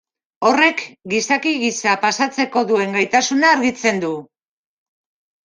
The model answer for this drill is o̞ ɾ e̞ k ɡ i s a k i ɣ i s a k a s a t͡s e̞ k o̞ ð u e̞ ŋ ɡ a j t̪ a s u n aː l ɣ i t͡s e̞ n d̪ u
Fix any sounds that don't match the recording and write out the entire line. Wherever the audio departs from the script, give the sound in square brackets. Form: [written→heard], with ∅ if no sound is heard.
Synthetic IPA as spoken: o̞ [ɾ→r] e̞ k ɡ i s a k i ɣ i s a [k→p] a s a t͡s e̞ k o̞ ð u e̞ ŋ ɡ a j t̪ a s u n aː [l→ɾ] ɣ i t͡s e̞ n d̪ u